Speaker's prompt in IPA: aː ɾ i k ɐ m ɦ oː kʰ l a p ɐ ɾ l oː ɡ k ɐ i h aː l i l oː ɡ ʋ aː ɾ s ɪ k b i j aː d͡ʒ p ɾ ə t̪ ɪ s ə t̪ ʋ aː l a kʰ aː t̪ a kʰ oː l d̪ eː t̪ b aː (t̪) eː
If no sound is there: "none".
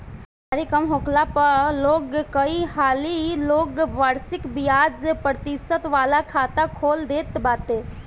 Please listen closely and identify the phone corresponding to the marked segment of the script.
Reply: t̪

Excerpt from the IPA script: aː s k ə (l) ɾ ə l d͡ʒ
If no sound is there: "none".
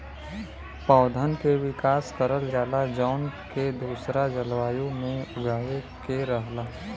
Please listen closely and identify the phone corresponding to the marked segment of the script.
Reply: none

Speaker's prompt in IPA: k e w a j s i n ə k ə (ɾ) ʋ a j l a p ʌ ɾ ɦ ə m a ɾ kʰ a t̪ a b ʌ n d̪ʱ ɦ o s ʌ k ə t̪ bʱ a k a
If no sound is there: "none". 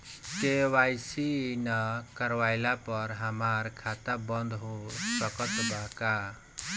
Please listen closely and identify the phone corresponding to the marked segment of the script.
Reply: ɾ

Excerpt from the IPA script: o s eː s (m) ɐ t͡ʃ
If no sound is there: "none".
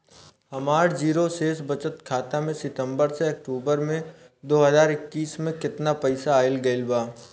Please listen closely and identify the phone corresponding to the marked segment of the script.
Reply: b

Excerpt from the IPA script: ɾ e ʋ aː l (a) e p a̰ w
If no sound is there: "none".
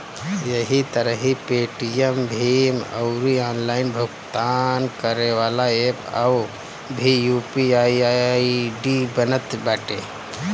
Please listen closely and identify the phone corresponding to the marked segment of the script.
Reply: a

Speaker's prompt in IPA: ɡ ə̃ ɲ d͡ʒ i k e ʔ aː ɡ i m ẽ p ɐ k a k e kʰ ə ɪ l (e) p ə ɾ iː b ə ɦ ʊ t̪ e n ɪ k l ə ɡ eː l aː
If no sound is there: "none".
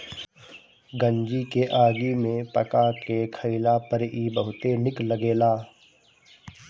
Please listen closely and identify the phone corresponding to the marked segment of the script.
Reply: a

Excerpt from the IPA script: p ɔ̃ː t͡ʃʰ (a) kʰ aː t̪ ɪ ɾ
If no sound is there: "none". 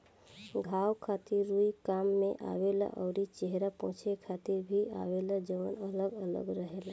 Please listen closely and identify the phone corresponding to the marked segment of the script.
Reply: e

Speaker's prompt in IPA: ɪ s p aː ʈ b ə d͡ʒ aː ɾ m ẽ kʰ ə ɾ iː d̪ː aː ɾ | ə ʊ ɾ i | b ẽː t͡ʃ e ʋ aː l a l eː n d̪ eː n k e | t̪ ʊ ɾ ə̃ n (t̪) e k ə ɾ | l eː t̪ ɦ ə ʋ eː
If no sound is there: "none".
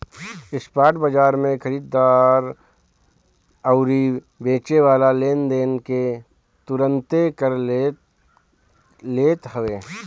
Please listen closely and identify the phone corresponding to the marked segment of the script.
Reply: t̪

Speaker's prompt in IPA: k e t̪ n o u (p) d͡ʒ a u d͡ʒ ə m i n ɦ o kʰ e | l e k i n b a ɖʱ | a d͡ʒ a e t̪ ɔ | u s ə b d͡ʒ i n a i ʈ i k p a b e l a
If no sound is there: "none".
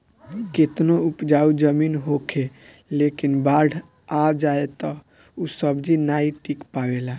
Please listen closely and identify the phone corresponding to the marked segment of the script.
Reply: p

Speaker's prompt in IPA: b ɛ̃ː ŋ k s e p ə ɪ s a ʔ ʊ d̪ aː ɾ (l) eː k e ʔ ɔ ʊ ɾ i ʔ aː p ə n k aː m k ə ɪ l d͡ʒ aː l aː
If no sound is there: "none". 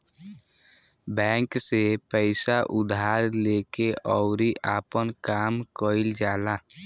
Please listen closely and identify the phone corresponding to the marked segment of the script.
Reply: l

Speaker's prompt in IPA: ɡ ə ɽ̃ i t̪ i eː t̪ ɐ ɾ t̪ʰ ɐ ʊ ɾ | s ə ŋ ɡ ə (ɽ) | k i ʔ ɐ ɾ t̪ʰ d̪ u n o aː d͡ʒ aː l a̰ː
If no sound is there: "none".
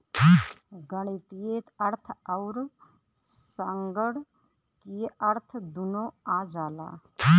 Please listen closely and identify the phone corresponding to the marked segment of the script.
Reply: ɽ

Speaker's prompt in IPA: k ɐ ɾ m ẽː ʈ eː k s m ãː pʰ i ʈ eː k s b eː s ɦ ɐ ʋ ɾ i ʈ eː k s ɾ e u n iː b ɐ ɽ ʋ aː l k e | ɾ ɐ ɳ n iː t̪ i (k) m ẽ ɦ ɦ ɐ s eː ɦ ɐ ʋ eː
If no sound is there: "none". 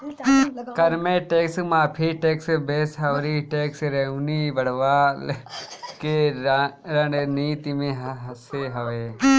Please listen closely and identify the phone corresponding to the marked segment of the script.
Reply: none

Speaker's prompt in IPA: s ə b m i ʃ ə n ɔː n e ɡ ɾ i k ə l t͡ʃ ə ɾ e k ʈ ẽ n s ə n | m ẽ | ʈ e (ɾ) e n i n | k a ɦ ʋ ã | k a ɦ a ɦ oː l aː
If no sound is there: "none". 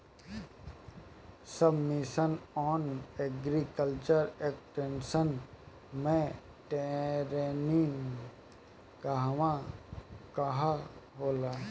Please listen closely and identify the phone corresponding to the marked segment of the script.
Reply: ɾ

